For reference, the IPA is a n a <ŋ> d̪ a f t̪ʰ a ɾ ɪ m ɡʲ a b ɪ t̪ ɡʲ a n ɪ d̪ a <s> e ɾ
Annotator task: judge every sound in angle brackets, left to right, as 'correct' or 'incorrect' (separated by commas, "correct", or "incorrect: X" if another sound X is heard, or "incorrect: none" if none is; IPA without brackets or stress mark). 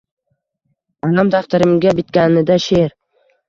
incorrect: m, incorrect: ʃ